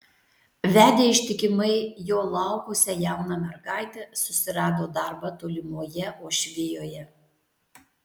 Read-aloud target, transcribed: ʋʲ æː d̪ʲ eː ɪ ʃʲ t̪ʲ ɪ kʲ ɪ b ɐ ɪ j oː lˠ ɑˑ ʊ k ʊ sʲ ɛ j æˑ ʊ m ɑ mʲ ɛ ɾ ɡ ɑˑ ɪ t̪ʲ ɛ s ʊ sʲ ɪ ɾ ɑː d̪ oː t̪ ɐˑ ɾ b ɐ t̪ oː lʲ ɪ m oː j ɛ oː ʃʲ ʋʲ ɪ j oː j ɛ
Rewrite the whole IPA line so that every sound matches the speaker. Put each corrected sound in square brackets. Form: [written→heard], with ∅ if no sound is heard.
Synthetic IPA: ʋʲ æː d̪ʲ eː ɪ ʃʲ t̪ʲ ɪ kʲ ɪ [b→m] ɐ ɪ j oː lˠ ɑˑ ʊ k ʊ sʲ ɛ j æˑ ʊ [m→n] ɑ mʲ ɛ ɾ ɡ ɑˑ ɪ t̪ʲ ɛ s ʊ sʲ ɪ ɾ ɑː d̪ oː [t̪→d̪] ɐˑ ɾ b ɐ t̪ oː lʲ ɪ m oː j ɛ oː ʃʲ ʋʲ ɪ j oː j ɛ